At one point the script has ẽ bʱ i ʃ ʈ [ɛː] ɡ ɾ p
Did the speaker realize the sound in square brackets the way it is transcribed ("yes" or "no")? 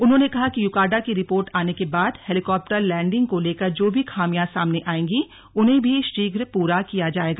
no